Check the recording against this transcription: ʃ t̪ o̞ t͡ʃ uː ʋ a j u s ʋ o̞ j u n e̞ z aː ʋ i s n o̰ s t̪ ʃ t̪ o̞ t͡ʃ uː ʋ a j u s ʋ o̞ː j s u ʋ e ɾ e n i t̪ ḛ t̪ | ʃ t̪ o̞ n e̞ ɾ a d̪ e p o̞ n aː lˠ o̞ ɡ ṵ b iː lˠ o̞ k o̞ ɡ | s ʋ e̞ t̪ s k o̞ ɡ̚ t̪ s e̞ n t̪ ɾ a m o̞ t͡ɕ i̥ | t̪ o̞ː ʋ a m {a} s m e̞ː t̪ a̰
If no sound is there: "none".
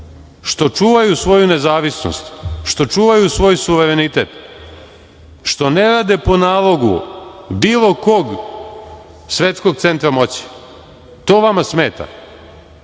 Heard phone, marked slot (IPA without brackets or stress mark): a